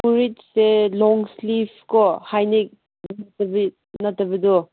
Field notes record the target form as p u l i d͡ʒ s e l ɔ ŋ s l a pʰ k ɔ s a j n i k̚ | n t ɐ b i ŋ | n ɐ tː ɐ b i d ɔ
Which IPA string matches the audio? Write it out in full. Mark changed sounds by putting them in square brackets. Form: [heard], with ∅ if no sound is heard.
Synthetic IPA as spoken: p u [ɾ] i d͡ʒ s e l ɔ ŋ s l [i] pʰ k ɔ [h] a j n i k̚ | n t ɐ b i [∅] | n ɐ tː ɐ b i d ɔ